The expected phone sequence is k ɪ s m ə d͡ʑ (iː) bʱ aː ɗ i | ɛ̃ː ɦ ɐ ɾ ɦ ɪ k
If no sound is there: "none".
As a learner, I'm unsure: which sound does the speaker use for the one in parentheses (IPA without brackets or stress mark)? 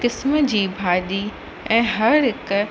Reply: iː